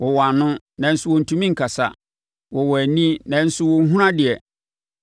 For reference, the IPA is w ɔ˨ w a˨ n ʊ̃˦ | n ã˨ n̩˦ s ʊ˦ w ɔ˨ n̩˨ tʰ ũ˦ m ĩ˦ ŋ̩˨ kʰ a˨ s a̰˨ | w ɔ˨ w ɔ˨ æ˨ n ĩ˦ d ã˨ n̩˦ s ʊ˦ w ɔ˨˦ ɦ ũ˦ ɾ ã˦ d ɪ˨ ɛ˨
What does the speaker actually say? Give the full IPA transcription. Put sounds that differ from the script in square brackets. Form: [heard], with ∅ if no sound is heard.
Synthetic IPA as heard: w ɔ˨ w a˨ n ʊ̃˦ | n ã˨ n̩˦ s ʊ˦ w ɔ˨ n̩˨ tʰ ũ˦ m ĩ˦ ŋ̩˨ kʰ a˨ s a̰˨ | w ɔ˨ w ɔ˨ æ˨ n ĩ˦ [n] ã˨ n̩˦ s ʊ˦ w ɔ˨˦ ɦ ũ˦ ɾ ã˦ d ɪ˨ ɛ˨